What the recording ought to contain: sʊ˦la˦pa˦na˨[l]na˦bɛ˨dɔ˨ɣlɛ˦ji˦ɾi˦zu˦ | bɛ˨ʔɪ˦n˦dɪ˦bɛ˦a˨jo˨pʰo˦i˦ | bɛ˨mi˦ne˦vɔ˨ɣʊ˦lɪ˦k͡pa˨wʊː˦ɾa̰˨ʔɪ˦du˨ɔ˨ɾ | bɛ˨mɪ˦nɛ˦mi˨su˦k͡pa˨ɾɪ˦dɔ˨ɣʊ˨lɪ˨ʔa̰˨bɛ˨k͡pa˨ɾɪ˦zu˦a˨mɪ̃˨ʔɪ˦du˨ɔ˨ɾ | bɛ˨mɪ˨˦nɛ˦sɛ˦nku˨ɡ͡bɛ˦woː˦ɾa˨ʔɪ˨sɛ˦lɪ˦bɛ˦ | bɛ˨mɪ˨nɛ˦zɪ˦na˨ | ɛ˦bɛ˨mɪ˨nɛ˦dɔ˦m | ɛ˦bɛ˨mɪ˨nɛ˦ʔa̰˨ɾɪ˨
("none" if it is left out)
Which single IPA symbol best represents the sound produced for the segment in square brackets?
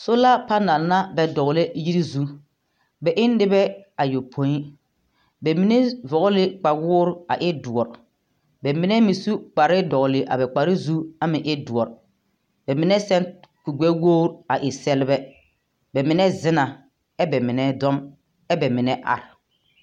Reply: l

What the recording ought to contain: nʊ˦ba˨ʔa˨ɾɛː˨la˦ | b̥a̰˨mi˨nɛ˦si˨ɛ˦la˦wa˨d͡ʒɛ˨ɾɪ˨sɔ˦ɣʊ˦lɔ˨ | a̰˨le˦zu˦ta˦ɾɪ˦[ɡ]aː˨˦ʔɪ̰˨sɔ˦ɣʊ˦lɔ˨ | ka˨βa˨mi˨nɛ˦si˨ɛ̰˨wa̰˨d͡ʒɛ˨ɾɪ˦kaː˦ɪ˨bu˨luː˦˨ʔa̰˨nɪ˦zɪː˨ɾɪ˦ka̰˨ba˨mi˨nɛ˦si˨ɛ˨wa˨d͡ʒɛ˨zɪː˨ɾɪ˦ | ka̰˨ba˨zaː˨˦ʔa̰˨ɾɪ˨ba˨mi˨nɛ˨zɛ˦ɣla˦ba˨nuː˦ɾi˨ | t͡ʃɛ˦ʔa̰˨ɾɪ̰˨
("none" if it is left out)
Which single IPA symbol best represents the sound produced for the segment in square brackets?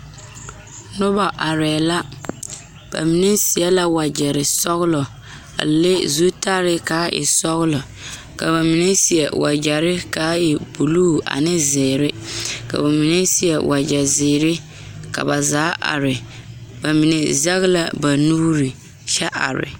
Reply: k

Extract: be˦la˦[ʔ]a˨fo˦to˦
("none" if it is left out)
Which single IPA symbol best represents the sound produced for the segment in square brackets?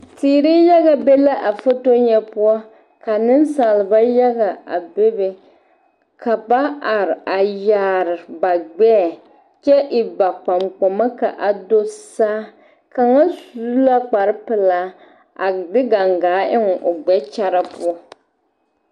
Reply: ʔ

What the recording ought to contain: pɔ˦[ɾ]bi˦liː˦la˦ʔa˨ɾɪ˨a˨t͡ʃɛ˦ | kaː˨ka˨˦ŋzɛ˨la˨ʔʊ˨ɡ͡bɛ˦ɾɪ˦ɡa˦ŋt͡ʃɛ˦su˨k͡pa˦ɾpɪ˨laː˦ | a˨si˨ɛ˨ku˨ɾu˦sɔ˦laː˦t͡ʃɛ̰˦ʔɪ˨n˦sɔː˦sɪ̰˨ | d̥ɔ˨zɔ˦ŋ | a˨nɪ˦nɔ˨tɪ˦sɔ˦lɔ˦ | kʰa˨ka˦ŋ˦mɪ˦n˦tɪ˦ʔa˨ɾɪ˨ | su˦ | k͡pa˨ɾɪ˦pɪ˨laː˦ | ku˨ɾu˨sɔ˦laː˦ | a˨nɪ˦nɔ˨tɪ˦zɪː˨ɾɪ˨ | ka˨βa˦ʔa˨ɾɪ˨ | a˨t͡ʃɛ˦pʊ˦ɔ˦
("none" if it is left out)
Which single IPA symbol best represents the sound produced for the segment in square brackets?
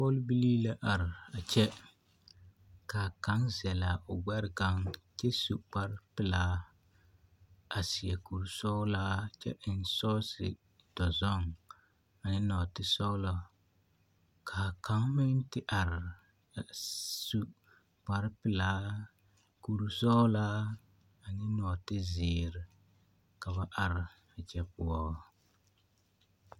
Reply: l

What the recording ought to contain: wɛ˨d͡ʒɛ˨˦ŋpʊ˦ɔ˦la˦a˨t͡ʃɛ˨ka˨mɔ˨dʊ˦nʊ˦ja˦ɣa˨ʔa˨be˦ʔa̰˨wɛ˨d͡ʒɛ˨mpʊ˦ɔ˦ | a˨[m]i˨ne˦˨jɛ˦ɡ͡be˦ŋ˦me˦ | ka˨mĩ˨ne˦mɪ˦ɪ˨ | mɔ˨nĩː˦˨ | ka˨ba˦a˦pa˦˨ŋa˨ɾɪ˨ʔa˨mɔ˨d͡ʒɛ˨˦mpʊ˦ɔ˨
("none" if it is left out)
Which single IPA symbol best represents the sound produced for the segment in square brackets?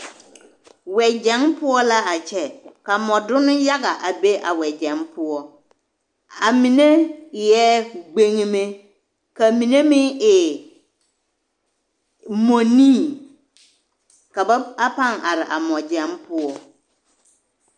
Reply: m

